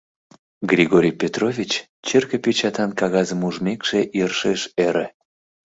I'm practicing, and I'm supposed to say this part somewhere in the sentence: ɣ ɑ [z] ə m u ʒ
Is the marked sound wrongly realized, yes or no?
no